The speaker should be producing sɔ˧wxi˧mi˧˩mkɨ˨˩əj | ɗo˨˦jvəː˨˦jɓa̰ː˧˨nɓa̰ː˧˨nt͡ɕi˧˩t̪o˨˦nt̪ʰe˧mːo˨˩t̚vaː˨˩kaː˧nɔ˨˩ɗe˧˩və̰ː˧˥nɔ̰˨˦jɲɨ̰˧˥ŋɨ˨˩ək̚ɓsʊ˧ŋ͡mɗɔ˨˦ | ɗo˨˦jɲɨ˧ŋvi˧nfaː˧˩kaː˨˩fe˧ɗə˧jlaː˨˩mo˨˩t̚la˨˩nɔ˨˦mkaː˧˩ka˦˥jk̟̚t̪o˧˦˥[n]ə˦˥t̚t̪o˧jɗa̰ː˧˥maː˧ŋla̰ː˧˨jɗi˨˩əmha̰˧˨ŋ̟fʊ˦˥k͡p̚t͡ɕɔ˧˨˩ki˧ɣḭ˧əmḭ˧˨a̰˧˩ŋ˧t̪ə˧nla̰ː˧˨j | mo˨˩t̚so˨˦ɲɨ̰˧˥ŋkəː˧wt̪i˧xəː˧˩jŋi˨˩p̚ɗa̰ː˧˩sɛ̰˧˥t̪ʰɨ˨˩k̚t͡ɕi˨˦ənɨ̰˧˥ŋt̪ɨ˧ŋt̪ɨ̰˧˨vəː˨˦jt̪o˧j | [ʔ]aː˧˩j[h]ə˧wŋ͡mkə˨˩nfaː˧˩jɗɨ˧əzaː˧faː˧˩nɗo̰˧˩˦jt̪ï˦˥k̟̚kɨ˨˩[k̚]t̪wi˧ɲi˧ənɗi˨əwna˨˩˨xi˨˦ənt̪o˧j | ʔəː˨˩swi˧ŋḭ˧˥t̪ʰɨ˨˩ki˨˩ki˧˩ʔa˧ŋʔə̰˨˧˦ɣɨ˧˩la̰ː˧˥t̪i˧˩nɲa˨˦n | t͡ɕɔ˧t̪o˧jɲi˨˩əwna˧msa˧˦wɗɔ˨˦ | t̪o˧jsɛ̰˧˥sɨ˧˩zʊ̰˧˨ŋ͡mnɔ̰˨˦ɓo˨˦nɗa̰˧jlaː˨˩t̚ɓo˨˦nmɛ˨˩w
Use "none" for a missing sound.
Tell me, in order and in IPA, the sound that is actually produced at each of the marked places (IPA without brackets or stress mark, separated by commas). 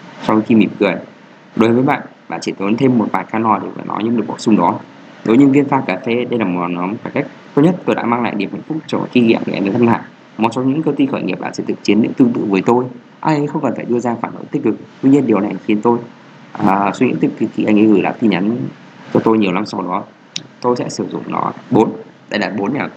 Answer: ɲ, ʔ, x, k̚